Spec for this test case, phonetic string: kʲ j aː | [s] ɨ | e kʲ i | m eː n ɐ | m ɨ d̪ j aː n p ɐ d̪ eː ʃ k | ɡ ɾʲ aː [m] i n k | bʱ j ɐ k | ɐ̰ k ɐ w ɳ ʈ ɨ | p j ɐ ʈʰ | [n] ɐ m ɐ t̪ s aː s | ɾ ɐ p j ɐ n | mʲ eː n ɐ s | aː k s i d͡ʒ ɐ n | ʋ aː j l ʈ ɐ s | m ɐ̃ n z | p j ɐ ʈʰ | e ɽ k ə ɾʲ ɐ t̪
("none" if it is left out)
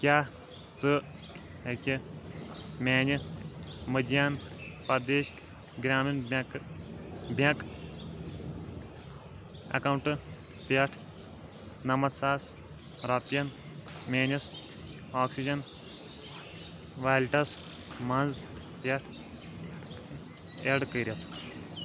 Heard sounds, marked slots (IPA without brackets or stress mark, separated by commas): t͡s, m, n